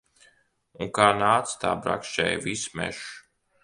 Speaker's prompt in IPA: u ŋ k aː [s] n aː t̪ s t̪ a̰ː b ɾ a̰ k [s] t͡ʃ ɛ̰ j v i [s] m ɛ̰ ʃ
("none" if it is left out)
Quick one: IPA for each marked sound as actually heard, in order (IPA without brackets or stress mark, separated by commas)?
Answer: none, ʃ, s